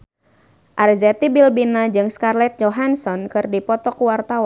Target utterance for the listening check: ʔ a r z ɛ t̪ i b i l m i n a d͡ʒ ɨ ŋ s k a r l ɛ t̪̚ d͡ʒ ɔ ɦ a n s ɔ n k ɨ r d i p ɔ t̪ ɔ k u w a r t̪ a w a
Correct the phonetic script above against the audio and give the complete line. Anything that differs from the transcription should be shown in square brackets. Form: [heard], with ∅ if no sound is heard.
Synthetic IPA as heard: ʔ a r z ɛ t̪ i b i l [b] i n a d͡ʒ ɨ ŋ s k a r l ɛ t̪̚ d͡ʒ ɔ ɦ a n s ɔ n k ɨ r d i p ɔ t̪ ɔ k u w a r t̪ a w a